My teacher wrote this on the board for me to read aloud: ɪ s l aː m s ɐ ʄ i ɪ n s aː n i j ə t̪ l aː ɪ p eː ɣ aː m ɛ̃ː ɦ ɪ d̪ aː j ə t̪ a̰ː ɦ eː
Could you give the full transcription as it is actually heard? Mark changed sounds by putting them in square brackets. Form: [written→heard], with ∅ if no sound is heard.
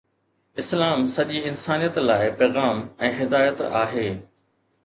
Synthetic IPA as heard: ɪ s l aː m s ɐ ʄ i ɪ n s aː n i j ə t̪ l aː ɪ p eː ɣ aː m ɛ̃ː ɦ ɪ d̪ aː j ə t̪ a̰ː ɦ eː